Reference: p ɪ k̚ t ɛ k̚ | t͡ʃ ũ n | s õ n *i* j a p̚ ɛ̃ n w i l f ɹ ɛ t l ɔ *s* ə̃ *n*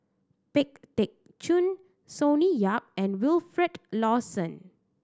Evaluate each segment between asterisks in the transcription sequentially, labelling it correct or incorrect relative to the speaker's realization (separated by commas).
correct, correct, correct